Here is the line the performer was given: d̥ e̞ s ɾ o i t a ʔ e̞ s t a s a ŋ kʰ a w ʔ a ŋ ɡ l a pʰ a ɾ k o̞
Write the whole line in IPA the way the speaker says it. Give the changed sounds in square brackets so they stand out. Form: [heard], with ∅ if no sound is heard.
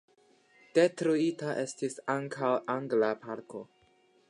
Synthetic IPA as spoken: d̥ e̞ [t] ɾ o i t a ʔ e̞ s t [i] s a ŋ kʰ a w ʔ a ŋ ɡ l a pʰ a ɾ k o̞